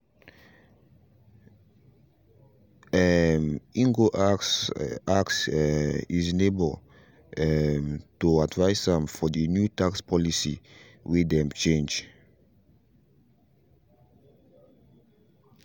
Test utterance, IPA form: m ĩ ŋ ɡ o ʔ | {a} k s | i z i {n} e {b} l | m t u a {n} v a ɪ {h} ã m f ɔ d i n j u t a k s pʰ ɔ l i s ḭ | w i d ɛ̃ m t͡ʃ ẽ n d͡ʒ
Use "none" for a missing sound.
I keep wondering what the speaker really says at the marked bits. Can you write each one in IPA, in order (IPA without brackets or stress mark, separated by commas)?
a, n, b, d, s